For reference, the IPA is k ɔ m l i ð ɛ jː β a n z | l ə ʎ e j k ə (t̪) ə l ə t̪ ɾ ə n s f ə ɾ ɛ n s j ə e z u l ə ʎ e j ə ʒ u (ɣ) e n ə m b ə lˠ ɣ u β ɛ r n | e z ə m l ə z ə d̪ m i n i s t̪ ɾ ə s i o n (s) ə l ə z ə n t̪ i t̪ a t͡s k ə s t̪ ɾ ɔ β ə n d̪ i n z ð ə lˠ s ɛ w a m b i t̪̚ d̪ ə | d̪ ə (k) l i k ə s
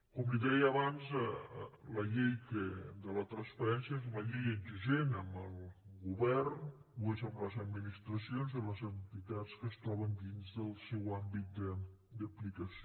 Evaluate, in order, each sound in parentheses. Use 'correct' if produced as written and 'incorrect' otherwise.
incorrect, incorrect, incorrect, incorrect

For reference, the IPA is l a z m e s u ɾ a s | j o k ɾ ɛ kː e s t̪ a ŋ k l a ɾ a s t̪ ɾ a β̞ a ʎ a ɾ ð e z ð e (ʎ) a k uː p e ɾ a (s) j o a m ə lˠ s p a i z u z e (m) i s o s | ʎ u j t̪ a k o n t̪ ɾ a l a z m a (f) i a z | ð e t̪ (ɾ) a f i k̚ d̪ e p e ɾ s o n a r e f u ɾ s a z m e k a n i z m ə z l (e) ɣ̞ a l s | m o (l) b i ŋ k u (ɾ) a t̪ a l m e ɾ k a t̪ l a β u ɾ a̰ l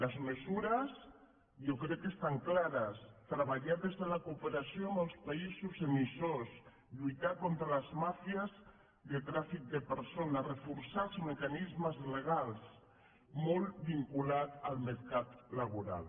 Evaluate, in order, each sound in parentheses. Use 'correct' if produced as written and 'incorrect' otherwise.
incorrect, correct, correct, correct, correct, correct, correct, incorrect

